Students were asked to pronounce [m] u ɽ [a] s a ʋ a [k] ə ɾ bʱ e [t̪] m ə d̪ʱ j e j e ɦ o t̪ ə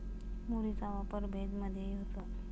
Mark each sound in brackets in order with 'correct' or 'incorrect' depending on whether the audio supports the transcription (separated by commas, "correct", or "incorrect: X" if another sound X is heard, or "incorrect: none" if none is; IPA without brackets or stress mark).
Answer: correct, incorrect: i, incorrect: p, incorrect: d̪